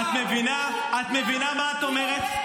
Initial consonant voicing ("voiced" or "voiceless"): voiceless